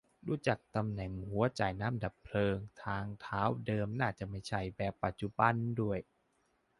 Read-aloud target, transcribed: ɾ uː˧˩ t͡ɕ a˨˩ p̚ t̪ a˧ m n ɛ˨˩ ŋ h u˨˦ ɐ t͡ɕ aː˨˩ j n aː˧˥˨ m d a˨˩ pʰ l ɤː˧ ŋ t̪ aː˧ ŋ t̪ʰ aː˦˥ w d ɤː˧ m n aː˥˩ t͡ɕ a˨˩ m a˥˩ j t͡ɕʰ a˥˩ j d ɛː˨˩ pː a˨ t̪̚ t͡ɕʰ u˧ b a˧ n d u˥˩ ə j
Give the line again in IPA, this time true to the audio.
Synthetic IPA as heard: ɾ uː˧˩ t͡ɕ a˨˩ k̚ t̪ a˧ m n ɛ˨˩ ŋ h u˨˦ ɐ t͡ɕ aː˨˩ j n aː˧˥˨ m d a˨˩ pʰ l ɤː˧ ŋ t̪ʰ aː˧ ŋ t̪ʰ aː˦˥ w d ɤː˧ m n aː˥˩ t͡ɕ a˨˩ m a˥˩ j t͡ɕʰ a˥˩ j b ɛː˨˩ pː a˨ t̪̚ t͡ɕ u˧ b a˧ n d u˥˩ ə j

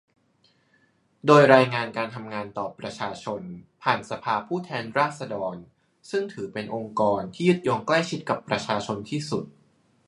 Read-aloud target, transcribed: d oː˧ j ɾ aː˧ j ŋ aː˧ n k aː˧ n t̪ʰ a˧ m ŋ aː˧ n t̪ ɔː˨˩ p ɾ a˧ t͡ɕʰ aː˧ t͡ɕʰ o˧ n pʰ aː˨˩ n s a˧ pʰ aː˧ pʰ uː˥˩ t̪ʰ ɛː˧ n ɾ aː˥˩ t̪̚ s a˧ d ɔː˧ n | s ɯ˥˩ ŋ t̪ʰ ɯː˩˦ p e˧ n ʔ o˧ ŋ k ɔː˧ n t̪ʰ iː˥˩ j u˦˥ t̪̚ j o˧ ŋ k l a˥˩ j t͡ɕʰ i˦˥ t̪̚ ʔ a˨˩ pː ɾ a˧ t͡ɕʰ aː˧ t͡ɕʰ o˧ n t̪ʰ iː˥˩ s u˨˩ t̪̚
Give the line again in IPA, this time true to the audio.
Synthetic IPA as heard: d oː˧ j ɾ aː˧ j ŋ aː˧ n k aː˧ n t̪ʰ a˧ m ŋ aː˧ n t̪ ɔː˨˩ p ɾ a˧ t͡ɕʰ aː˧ t͡ɕʰ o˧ n pʰ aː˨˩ n s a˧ pʰ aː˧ pʰ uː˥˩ t̪ʰ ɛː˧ n ɾ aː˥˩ t̪̚ s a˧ d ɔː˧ n | s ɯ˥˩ ŋ t̪ʰ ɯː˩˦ p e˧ n ʔ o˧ ŋ k ɔː˧ n t̪ʰ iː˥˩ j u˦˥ t̪̚ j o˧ ŋ k l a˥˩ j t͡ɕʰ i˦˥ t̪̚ k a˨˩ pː ɾ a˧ t͡ɕʰ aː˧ t͡ɕʰ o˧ n t̪ʰ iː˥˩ s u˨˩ t̪̚

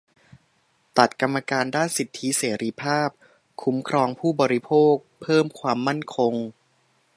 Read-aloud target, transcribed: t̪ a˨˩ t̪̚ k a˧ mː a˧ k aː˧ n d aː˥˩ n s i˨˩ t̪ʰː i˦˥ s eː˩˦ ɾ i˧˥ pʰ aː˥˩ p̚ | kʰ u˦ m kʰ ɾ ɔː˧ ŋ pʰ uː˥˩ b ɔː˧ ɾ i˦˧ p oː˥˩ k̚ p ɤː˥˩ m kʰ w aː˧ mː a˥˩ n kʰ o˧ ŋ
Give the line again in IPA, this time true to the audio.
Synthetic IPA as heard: t̪ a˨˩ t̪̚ k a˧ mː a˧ k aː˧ n d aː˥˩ n s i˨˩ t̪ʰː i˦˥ s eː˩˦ ɾ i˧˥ pʰ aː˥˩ p̚ | kʰ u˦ m kʰ ɾ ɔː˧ ŋ pʰ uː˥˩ b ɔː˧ ɾ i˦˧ pʰ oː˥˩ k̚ pʰ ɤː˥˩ m kʰ w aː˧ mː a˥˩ n kʰ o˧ ŋ

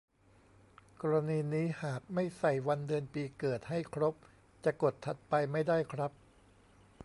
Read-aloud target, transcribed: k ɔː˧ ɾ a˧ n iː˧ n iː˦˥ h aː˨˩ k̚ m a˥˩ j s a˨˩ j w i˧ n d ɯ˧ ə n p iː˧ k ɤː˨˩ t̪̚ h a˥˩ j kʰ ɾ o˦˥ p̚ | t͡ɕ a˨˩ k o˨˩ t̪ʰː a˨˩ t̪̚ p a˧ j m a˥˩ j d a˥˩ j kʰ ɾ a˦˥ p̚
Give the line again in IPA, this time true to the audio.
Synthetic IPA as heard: k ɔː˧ ɾ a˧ n iː˧ n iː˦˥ h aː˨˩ k̚ m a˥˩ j s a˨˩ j w a˧ n d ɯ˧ ə n p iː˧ k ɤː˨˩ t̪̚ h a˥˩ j kʰ ɾ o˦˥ p̚ | t͡ɕ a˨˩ k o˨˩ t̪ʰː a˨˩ t̪̚ p a˧ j m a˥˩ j d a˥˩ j kʰ ɾ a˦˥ p̚

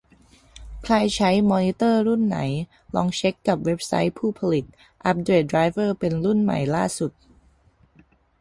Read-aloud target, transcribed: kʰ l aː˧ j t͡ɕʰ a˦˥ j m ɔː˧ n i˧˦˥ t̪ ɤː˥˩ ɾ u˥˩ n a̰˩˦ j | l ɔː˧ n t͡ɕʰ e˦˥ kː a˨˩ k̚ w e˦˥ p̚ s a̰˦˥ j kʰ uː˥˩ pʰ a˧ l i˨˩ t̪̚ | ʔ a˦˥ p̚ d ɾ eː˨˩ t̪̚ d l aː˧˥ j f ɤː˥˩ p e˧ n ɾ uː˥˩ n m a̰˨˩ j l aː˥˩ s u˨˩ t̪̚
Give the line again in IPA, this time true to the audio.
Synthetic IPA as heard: kʰ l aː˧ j t͡ɕʰ a˦˥ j m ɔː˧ n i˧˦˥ t̪ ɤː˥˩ ɾ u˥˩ nː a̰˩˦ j | l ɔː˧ ŋ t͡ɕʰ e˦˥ kː a˨˩ p̚ w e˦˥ p̚ s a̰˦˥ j pʰ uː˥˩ pʰ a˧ l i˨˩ t̪̚ | ʔ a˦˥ p̚ d ɾ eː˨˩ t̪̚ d ɾ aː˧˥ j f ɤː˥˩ p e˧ n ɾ u˥˩ n m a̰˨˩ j l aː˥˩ s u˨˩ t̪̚

